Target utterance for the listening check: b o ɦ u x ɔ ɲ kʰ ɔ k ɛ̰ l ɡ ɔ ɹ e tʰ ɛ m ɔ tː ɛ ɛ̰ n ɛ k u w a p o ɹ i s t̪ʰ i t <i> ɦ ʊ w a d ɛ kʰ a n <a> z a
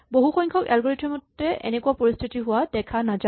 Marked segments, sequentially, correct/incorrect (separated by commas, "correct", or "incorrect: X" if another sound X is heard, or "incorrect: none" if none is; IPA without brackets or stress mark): correct, correct